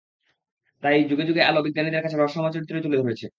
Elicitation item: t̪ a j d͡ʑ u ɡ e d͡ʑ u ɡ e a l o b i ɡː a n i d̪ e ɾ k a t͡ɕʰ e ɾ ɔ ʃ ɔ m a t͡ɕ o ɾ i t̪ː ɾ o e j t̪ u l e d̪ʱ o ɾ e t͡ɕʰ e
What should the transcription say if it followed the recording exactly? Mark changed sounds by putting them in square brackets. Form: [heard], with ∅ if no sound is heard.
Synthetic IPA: t̪ a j d͡ʑ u ɡ e d͡ʑ u ɡ e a l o b i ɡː a n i d̪ e ɾ k a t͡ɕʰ e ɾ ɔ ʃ ɔ m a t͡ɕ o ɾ i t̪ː ɾ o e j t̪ u l e d̪ʱ o ɾ e t͡ɕʰ e

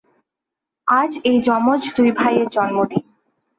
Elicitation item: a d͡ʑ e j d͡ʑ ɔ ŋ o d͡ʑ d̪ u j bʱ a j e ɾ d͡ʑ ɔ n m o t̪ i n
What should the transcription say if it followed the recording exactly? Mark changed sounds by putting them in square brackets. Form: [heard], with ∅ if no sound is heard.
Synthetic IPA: a d͡ʑ e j d͡ʑ ɔ [m] o d͡ʑ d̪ u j bʱ a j e ɾ d͡ʑ ɔ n m o [d̪] i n

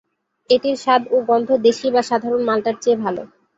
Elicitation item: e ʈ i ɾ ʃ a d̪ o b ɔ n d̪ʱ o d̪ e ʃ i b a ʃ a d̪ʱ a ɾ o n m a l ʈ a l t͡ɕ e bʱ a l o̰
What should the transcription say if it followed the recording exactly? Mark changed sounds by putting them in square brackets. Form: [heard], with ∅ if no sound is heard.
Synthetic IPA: e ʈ i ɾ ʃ a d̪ o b ɔ n d̪ʱ o d̪ e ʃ i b a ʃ a d̪ʱ a ɾ o n m a l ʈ a [ɾ] t͡ɕ e bʱ a l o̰

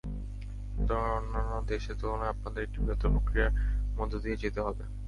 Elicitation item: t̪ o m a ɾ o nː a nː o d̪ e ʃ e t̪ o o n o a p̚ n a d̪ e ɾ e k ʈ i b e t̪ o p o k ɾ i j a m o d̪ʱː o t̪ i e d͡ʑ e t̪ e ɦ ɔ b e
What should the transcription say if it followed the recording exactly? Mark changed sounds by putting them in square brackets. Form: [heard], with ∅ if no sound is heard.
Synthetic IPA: t̪ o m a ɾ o nː a nː o d̪ e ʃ e t̪ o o n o a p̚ n a d̪ e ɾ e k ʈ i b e t̪ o p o k ɾ i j a m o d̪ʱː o [d̪] i e d͡ʑ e t̪ e ɦ ɔ b e

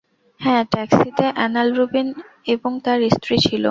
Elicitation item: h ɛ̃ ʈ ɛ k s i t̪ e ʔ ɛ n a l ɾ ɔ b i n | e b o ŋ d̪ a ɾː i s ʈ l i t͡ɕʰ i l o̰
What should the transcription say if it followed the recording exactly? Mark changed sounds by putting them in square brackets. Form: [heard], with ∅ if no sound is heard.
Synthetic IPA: h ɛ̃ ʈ ɛ k s i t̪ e ʔ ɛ n a l ɾ [u] b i n | e b o ŋ [t̪] a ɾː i s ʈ [ɾ] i t͡ɕʰ i l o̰

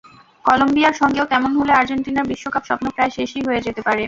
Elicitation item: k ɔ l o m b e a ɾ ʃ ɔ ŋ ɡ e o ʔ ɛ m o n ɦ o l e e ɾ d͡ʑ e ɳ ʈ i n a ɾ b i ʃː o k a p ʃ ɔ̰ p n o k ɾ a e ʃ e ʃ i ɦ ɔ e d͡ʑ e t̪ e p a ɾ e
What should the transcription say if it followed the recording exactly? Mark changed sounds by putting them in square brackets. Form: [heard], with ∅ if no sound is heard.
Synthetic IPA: k ɔ l o m b [i] a ɾ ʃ ɔ ŋ ɡ e o [k] ɛ m o n ɦ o l e [a] ɾ d͡ʑ e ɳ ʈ i n a ɾ b i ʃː o k a p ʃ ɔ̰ p n o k ɾ a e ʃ e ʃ i ɦ [o] e d͡ʑ e t̪ e p a ɾ e

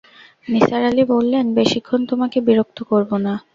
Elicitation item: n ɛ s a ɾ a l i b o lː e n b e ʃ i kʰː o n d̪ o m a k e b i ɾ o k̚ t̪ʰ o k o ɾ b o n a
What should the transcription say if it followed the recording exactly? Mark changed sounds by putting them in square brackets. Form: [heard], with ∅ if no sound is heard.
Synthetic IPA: n [i] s a ɾ a l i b o lː e n b e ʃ i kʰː o n [t̪] o m a k e b i ɾ o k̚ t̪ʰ o k o ɾ b o n a

